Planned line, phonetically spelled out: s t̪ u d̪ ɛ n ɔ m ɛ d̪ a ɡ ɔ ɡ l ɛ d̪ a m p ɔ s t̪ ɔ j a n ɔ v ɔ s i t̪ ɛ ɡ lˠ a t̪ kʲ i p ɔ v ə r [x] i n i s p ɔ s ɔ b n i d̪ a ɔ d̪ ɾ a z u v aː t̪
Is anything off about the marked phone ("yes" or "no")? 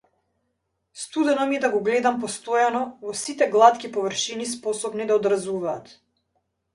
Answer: yes